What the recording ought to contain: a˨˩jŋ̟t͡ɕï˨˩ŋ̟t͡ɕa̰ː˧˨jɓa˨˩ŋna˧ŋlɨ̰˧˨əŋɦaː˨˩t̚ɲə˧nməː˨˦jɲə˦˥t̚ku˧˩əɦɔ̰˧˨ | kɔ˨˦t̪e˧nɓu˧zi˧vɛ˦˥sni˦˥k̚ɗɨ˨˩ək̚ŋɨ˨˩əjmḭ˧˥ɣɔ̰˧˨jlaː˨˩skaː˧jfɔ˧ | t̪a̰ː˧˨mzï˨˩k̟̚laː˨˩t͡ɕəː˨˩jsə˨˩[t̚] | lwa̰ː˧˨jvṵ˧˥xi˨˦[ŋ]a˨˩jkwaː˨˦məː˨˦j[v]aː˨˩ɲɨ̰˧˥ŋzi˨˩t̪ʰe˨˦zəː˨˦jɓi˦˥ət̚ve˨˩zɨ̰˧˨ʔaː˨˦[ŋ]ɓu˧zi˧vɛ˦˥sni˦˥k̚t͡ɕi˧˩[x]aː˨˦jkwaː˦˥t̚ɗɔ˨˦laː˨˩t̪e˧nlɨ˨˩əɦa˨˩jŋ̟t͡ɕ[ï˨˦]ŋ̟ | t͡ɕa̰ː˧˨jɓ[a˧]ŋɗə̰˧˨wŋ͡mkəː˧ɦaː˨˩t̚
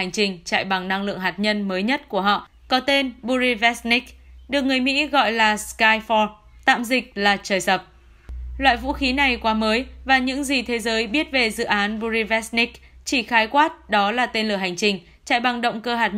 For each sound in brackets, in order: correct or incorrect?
incorrect: p̚, incorrect: n, correct, incorrect: n, correct, incorrect: ï˨˩, incorrect: a˨˩

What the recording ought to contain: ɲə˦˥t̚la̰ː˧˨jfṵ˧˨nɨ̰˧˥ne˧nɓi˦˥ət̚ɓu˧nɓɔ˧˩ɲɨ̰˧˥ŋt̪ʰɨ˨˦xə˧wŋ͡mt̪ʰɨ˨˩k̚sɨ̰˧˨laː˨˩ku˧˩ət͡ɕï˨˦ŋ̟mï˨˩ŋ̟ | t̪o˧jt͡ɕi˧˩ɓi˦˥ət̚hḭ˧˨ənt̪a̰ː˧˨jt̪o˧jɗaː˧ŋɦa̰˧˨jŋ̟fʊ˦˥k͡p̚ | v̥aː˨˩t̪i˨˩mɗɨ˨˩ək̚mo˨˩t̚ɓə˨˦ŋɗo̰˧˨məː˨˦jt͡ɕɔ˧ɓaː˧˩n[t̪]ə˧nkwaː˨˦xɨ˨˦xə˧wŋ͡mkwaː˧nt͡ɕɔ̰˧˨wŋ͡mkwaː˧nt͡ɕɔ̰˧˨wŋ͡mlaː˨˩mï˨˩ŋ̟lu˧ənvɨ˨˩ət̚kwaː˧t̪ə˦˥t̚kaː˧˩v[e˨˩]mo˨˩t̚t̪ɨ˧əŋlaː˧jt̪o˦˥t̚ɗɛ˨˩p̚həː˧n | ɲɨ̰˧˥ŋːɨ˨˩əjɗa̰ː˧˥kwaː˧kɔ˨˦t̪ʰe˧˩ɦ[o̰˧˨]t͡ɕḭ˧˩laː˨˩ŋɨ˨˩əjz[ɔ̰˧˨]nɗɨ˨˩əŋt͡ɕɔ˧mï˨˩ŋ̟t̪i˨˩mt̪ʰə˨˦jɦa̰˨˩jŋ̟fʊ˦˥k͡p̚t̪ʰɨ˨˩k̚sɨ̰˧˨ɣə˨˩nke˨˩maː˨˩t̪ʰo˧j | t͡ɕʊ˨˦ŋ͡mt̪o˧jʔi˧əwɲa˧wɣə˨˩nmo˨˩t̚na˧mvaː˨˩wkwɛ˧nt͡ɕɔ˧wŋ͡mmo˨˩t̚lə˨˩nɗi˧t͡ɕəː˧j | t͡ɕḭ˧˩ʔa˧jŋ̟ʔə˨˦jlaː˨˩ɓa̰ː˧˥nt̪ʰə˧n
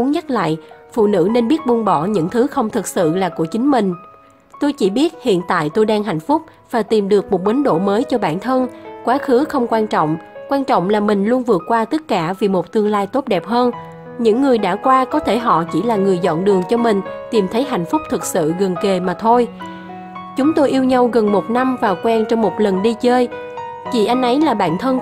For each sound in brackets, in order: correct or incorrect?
incorrect: t̪ʰ, incorrect: i˨˩, incorrect: ɔ̰˧˨, correct

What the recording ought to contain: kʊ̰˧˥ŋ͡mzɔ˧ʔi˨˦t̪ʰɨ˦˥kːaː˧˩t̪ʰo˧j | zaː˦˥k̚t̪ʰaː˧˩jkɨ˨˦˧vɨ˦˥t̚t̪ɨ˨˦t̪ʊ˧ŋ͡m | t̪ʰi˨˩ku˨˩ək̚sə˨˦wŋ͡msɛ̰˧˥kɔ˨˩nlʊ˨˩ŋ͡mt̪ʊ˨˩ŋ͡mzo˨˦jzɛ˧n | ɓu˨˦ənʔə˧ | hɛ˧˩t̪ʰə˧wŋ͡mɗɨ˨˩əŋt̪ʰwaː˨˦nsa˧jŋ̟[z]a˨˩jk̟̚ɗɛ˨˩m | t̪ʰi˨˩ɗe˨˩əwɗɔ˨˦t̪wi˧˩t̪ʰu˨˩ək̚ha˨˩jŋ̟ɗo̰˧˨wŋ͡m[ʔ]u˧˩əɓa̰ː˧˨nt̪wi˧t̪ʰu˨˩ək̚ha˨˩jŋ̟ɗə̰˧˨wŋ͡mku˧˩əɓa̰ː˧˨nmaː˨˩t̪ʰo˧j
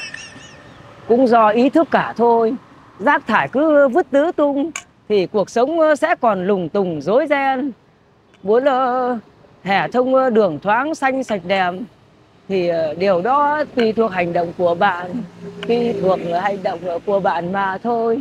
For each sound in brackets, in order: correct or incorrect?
incorrect: s, incorrect: k

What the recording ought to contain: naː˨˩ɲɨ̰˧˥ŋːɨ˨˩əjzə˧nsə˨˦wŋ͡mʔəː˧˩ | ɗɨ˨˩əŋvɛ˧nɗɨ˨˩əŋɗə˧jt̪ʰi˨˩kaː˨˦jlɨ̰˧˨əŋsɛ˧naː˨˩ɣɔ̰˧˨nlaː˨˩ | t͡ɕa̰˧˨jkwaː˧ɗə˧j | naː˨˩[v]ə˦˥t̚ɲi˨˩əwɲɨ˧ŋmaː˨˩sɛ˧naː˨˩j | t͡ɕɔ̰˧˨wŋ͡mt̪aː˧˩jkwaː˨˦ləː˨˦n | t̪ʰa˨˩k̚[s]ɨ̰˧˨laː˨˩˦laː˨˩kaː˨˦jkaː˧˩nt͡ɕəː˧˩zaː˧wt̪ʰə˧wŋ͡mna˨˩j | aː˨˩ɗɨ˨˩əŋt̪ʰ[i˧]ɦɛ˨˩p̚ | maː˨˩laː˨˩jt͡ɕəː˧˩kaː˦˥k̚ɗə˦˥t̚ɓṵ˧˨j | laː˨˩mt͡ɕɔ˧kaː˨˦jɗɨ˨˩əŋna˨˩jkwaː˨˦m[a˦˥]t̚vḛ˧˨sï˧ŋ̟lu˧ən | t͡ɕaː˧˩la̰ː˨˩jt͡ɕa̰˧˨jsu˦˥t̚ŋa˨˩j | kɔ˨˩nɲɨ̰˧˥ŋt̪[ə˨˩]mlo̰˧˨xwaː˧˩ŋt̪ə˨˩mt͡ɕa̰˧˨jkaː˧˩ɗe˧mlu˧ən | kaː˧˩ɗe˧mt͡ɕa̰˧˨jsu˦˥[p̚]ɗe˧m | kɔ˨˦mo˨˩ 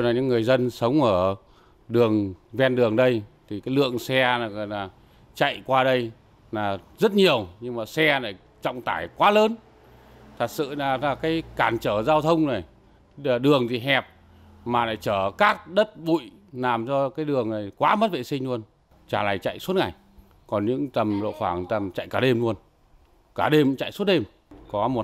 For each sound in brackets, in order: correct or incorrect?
incorrect: z, correct, incorrect: i˨˩, incorrect: ə˦˥, correct, incorrect: t̚

